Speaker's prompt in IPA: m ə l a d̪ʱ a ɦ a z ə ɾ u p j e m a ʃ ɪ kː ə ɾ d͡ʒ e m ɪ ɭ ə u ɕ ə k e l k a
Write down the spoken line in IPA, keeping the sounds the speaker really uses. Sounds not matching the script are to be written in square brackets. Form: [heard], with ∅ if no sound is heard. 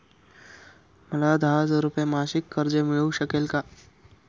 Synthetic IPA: m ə l a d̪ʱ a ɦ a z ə ɾ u p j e m a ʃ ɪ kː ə ɾ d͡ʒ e m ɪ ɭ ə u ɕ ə k e l k a